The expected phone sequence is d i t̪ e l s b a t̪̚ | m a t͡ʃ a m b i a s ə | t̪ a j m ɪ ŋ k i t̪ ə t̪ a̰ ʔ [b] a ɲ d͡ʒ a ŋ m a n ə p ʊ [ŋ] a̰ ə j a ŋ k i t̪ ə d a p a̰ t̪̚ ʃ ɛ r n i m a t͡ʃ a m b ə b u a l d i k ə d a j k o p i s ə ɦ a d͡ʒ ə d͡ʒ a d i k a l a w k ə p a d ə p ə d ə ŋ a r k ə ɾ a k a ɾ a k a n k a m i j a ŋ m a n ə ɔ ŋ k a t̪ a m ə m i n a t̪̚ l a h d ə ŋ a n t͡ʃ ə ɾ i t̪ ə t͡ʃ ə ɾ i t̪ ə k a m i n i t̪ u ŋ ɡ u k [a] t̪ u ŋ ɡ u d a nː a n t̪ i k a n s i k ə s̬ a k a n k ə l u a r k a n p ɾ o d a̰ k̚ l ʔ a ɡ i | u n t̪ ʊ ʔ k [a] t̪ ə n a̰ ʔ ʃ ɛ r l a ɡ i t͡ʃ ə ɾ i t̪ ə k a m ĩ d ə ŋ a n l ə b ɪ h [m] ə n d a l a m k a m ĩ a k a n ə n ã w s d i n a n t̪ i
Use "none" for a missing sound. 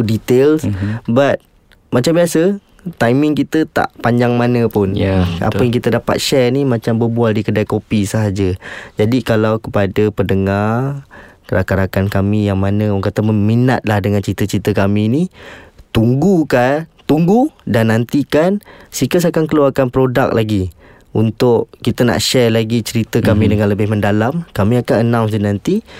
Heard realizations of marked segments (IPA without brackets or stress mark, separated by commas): p, n, a, i, m